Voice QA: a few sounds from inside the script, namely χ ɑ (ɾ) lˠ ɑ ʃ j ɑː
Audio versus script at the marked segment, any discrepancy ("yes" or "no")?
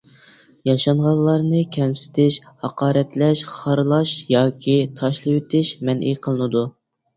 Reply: no